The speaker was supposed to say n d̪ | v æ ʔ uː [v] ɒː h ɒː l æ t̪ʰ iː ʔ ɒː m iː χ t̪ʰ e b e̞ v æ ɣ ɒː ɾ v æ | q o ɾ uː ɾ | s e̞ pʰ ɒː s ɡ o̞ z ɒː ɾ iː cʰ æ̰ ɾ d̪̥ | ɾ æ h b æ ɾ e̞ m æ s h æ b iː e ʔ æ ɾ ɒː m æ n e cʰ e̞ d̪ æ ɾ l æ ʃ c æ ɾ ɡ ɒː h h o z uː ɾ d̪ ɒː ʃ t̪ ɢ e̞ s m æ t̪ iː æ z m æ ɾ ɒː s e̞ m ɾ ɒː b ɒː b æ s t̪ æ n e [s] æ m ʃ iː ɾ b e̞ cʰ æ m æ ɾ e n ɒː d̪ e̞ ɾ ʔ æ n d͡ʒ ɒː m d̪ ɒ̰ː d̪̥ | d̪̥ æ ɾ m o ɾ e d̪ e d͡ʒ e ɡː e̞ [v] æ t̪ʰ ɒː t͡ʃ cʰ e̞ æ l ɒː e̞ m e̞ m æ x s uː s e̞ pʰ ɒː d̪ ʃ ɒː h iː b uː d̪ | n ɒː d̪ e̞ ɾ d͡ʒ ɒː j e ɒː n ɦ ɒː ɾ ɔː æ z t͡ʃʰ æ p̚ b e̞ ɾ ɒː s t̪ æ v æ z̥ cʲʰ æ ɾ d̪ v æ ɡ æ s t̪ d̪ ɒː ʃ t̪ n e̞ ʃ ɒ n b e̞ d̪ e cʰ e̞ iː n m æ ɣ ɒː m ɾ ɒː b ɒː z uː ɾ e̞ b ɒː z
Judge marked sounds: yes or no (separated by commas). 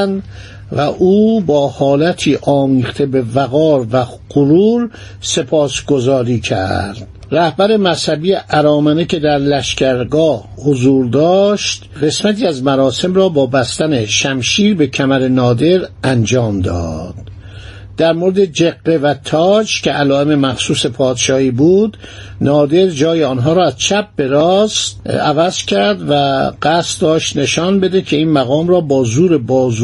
no, no, yes